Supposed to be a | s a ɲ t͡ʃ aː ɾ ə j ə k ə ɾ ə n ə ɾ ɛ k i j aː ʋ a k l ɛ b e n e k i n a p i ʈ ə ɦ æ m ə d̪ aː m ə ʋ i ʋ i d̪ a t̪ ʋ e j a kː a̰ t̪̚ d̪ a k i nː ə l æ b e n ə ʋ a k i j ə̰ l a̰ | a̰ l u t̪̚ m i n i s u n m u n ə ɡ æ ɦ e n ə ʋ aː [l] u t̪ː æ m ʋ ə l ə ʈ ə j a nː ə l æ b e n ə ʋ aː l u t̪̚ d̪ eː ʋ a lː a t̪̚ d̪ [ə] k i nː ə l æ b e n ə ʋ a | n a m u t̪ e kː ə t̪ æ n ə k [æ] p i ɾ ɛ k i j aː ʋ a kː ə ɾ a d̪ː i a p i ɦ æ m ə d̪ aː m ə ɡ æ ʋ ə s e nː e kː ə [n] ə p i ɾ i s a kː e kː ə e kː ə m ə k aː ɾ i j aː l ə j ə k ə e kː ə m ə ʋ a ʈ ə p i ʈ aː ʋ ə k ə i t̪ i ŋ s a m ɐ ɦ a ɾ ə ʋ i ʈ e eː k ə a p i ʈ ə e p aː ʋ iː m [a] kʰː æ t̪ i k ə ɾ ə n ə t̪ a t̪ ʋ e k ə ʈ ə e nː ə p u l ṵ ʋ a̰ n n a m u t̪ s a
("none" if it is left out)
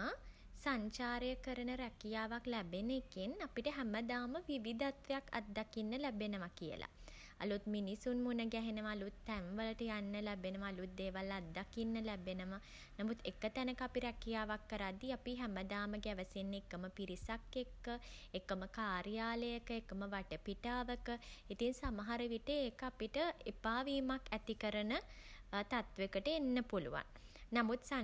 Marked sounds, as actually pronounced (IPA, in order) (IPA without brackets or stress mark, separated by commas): l, a, a, m, a